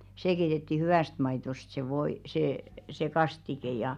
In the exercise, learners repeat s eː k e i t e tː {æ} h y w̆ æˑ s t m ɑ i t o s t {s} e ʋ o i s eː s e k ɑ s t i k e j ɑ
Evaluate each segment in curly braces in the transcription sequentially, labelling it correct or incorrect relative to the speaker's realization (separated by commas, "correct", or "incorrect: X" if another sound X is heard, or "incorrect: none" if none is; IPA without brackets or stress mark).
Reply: incorrect: i, correct